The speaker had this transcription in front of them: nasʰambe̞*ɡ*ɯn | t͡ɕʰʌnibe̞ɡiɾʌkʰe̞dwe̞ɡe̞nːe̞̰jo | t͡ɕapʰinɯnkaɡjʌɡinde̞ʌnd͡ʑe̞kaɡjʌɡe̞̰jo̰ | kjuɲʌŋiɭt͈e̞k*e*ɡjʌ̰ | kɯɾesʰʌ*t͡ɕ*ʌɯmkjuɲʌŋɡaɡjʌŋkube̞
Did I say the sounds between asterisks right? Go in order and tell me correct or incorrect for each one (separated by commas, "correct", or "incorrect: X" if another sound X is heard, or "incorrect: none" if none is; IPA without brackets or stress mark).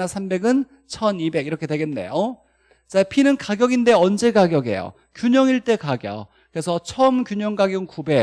correct, incorrect: a, incorrect: t͡ɕʰ